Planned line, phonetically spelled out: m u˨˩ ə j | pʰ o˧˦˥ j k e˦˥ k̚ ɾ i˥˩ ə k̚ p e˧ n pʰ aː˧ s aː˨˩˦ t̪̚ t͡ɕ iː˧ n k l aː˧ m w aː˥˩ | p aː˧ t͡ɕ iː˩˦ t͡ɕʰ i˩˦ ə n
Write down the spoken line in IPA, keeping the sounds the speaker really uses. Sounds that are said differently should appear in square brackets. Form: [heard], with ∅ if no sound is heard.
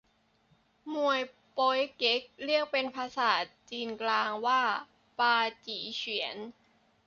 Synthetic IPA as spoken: m u˨˩ ə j | [p] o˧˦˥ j k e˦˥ k̚ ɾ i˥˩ ə k̚ p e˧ n pʰ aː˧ s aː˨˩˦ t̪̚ t͡ɕ iː˧ n k l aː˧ [ŋ] w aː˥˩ | p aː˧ t͡ɕ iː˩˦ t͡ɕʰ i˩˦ ə n